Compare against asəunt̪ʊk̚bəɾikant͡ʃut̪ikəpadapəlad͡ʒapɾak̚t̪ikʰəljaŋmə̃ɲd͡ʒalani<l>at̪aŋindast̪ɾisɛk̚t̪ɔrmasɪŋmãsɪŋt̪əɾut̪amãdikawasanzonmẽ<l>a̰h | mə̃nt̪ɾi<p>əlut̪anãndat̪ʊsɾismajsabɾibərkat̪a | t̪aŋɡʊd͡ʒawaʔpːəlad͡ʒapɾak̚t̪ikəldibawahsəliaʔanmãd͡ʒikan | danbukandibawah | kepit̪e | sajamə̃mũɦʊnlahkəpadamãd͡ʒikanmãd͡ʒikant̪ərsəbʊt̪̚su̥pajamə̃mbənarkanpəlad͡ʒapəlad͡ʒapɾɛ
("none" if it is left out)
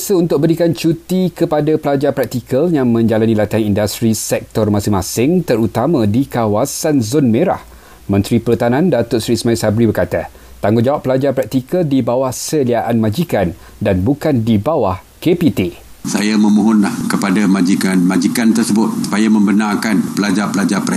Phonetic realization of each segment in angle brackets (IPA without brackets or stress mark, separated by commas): l, ɾ, p